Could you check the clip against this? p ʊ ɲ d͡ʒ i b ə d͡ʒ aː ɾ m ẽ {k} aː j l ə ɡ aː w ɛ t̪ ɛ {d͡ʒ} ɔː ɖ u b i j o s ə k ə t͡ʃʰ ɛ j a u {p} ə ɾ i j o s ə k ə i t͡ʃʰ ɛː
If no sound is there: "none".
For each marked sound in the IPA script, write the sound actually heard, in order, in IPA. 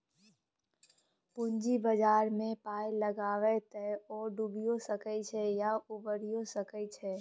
p, none, b

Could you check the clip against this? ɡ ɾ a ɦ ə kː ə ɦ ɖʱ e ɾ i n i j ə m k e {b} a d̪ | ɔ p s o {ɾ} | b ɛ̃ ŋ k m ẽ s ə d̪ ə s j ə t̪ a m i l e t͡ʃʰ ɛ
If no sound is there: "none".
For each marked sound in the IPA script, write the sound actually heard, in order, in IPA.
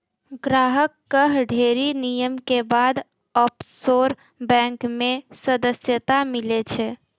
b, ɾ

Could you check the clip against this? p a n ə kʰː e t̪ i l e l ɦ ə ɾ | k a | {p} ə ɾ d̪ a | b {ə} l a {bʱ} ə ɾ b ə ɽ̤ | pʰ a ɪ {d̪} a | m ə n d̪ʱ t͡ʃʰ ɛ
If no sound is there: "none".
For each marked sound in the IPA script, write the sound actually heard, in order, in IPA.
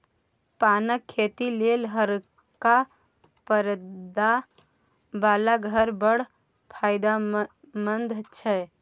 p, a, ɡʱ, d̪

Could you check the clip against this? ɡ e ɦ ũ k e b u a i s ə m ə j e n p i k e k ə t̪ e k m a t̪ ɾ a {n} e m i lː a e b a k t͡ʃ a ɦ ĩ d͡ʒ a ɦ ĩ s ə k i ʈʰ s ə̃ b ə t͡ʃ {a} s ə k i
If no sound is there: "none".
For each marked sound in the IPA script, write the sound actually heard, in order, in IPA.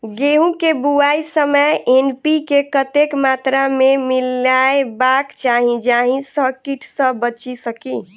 m, i

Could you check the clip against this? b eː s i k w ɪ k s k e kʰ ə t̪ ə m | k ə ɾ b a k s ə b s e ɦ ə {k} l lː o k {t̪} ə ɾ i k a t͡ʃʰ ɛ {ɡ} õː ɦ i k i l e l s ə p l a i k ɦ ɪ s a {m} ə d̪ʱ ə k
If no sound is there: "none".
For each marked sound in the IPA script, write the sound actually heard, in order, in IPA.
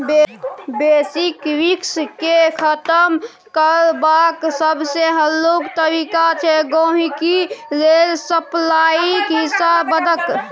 none, t̪, ɡ, b

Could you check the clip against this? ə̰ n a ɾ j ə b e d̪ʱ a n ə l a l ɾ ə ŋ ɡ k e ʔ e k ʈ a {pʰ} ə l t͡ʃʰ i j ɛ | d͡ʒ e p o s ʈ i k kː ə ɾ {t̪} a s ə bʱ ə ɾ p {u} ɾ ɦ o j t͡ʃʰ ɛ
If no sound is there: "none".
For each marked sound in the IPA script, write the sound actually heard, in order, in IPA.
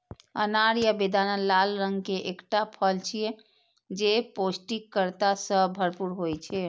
pʰ, t̪, u

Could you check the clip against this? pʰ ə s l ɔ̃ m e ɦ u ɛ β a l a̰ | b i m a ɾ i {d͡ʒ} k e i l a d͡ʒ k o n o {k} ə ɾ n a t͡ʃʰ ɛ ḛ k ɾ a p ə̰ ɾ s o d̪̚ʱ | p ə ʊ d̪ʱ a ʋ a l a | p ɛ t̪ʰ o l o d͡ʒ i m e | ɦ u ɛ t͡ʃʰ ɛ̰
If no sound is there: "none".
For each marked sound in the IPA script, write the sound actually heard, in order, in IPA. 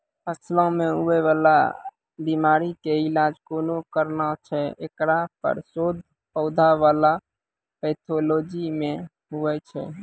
none, k

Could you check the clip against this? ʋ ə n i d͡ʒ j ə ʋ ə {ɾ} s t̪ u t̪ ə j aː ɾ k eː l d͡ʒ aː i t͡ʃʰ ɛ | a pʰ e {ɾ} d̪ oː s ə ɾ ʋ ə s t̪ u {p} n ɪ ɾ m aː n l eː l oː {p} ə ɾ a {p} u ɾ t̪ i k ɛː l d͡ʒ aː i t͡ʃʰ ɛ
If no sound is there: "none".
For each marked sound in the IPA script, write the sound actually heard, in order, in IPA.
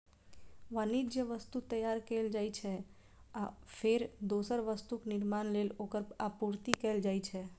none, ɾ, k, k, p

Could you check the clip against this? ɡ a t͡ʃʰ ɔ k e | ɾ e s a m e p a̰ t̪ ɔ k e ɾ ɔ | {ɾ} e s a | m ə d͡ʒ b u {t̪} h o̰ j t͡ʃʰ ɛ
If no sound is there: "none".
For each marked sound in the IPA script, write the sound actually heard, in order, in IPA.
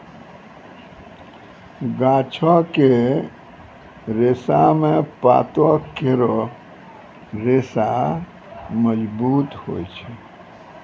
ɾ, t̪

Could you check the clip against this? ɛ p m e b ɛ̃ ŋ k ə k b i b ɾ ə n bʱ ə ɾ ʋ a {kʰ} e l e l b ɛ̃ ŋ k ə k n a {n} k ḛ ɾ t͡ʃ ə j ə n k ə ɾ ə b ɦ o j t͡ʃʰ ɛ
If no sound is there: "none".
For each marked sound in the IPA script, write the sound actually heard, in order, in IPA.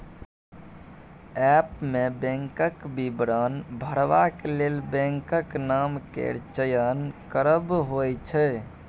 k, m

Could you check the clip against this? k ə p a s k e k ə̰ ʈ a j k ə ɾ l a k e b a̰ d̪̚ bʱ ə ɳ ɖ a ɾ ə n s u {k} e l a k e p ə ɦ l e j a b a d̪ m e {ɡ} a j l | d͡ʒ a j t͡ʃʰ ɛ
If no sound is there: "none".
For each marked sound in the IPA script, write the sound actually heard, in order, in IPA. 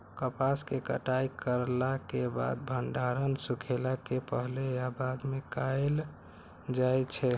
kʰ, k

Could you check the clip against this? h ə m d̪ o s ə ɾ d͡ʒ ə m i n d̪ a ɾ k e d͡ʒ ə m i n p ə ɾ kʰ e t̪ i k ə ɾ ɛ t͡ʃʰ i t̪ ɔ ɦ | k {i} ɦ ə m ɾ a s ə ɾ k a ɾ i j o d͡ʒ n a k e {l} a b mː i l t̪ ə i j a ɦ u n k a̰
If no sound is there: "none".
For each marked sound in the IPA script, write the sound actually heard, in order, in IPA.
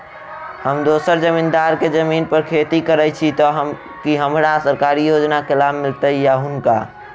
i, l

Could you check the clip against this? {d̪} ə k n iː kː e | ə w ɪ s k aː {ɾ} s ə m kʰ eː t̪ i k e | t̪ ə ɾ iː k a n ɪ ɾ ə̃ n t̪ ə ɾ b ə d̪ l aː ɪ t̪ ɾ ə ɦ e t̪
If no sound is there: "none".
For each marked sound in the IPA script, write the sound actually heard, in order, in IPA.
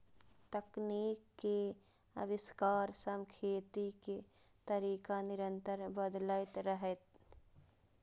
t̪, ɾ

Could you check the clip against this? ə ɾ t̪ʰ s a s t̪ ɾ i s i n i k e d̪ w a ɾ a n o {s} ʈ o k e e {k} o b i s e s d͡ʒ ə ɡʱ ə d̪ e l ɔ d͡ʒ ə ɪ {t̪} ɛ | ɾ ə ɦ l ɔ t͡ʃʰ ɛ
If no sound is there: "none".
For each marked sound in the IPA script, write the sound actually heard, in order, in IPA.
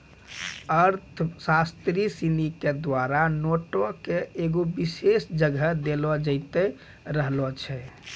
none, ɡ, t̪

